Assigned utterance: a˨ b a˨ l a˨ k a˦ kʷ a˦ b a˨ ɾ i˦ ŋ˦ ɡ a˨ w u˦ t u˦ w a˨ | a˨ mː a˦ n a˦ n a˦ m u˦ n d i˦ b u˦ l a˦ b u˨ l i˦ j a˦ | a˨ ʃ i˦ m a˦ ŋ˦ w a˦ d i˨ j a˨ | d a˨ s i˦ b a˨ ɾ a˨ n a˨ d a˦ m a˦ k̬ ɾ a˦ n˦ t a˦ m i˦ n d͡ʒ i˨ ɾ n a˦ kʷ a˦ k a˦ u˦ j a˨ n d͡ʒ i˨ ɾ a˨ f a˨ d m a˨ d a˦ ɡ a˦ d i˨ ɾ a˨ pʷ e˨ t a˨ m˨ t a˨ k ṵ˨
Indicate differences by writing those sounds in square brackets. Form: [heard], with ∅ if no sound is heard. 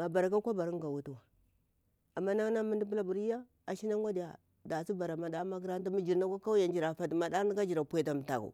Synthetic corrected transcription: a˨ b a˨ [ɾ] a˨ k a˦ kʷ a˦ b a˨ ɾ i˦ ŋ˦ ɡ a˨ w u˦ t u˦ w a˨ | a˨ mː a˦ n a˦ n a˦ m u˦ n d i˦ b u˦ l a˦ b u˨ [ɾ] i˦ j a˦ | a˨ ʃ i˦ [n] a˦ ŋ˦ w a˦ d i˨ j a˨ | d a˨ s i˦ b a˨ ɾ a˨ [m] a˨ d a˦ m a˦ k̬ ɾ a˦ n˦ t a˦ m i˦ [∅] d͡ʒ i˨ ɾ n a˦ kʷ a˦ k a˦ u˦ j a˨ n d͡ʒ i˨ ɾ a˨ f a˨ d m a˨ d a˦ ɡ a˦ [d͡ʒ] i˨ ɾ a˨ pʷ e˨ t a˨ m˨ t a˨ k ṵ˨